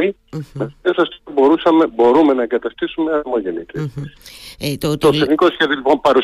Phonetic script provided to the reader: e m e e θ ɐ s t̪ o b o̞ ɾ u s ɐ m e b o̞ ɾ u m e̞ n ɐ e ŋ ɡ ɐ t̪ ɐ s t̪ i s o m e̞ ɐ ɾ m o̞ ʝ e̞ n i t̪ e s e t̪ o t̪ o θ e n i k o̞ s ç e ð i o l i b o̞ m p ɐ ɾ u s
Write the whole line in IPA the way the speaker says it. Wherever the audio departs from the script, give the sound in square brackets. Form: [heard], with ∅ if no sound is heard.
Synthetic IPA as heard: [i] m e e [s] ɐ s t̪ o b o̞ ɾ u s ɐ m e b o̞ ɾ u m e̞ n ɐ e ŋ ɡ ɐ t̪ ɐ s t̪ i s [u] m e̞ ɐ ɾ m o̞ ʝ e̞ n i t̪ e s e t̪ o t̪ o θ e n i k o̞ s ç e ð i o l i [p] o̞ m p ɐ ɾ u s